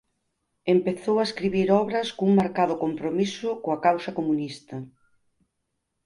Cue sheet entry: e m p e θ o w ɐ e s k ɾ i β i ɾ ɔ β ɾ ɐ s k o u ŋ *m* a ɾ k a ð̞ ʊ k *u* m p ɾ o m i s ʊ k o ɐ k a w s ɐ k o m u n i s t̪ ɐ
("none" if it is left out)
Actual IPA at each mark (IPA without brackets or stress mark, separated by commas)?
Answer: m, o